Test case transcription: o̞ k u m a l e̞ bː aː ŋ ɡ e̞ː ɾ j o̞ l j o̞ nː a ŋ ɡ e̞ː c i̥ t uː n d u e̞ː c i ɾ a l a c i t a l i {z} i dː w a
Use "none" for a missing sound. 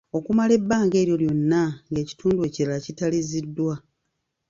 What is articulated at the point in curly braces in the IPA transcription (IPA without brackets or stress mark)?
z